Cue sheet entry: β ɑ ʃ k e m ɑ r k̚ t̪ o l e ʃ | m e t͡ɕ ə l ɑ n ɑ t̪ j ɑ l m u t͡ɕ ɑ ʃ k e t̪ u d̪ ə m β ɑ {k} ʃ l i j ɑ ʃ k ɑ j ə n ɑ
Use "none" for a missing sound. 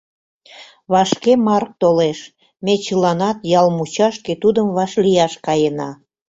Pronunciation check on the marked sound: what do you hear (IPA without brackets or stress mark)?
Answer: none